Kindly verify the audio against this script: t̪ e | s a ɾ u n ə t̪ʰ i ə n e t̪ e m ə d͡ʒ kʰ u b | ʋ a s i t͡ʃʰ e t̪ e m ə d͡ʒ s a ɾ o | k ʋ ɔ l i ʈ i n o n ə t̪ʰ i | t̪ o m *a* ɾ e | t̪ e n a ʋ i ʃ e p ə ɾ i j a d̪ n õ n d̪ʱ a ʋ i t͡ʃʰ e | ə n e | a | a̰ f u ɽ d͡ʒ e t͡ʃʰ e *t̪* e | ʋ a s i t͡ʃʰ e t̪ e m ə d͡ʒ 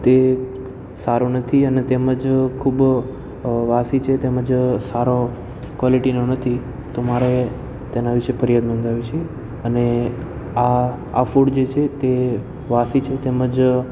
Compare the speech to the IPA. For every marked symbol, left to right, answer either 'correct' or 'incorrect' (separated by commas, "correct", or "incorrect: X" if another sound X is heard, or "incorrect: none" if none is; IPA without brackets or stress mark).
correct, correct